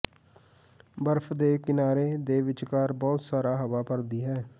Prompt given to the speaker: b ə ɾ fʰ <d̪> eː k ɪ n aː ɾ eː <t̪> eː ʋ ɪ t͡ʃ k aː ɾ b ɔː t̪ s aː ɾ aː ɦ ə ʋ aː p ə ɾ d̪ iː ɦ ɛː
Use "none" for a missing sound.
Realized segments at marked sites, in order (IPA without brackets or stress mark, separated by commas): d̪, d̪